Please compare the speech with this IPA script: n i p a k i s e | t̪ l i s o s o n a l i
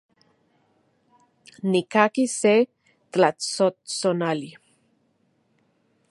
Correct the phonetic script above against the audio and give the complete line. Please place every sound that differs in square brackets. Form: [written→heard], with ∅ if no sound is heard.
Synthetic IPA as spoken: n i [p→k] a k i s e | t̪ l [i→a] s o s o n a l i